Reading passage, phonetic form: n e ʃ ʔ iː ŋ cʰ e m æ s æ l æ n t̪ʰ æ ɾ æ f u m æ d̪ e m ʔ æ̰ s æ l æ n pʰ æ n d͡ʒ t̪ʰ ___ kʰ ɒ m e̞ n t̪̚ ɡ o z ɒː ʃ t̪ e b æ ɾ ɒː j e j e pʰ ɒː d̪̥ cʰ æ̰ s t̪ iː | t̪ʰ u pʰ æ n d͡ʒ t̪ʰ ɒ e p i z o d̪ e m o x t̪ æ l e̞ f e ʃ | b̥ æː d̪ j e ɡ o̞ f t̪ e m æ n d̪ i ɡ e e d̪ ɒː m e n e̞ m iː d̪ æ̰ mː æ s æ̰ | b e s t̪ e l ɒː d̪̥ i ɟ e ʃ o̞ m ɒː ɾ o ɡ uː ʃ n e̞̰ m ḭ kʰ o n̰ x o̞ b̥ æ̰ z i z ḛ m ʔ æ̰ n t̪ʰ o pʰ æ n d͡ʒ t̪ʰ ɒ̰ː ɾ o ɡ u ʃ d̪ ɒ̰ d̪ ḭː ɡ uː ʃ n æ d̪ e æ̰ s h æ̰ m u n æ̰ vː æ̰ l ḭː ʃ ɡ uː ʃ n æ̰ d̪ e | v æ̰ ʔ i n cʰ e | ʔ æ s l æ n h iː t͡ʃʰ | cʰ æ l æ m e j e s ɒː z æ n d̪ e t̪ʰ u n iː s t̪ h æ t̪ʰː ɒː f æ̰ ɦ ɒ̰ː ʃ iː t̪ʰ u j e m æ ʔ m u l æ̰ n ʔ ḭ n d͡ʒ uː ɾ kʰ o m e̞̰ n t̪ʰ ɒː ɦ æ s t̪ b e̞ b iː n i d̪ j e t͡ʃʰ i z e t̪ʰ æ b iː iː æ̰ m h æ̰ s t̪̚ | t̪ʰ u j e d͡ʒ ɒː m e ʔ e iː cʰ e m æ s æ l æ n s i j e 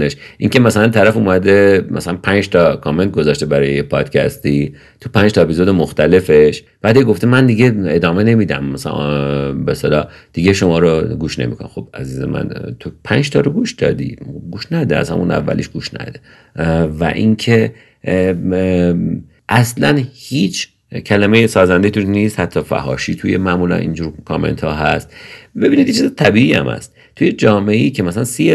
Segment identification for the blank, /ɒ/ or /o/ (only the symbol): ɒ